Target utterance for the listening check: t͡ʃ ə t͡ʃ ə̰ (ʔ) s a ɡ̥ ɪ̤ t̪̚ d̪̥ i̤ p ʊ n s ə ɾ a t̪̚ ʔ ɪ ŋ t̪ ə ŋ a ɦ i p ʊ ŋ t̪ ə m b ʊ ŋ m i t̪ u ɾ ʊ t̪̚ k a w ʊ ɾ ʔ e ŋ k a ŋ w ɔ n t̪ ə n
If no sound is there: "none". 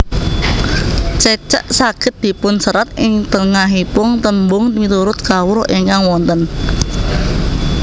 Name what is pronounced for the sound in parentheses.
ʔ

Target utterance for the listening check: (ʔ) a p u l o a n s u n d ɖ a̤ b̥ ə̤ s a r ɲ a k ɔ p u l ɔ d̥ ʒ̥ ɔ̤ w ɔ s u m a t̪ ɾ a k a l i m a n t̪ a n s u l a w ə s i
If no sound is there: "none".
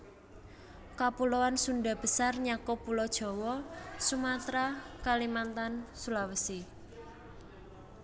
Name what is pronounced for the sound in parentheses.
k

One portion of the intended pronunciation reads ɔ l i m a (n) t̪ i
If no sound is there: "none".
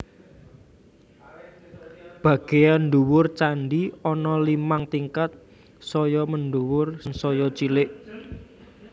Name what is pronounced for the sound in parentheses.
ŋ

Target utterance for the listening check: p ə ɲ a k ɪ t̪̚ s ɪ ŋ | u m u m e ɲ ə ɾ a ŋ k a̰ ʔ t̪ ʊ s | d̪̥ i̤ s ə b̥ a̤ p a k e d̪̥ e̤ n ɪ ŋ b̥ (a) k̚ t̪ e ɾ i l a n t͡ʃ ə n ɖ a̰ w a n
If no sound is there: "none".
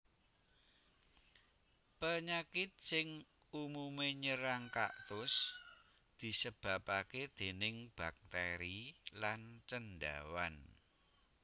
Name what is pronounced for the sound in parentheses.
a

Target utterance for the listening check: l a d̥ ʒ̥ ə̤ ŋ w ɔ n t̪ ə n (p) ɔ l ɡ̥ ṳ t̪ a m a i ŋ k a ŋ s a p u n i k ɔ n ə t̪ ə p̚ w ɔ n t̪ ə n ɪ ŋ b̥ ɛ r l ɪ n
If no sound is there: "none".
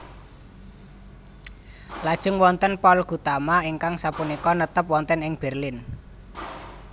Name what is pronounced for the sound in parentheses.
p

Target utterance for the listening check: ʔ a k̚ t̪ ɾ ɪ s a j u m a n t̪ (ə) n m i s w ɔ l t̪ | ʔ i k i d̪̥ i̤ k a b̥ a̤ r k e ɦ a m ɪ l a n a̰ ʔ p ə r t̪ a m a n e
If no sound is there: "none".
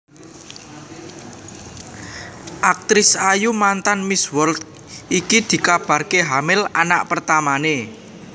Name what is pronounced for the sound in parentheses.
a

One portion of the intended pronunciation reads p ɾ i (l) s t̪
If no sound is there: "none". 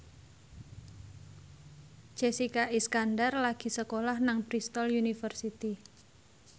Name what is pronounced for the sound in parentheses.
none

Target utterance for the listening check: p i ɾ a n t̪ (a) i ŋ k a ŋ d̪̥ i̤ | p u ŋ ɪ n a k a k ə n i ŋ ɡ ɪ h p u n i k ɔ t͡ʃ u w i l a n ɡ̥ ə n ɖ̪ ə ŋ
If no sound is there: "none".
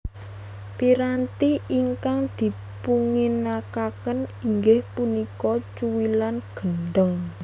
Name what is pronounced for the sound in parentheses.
i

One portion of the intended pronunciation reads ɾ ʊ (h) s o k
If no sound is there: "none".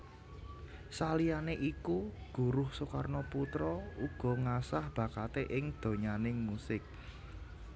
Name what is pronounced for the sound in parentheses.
h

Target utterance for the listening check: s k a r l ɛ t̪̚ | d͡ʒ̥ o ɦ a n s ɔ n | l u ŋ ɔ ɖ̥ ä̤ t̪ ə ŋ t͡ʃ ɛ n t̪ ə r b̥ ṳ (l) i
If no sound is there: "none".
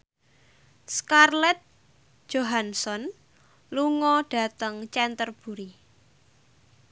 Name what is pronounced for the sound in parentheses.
ɾ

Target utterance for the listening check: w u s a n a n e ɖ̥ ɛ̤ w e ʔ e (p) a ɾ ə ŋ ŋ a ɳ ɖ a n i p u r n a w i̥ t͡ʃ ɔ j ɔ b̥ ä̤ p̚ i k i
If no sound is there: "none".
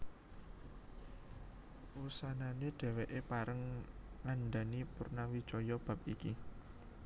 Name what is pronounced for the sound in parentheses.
p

